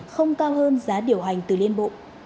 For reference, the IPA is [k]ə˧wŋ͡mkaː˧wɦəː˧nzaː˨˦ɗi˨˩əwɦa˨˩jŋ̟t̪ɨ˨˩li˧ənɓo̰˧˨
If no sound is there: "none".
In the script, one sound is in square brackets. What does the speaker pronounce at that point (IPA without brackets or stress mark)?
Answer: x